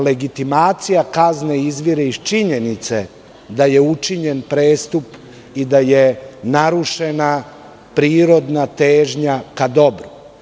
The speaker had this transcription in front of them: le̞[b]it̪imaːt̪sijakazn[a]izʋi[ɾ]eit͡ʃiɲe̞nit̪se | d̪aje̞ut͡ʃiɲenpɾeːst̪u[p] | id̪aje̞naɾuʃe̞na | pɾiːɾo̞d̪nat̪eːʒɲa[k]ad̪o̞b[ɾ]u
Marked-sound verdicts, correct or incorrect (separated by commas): incorrect, incorrect, correct, correct, correct, correct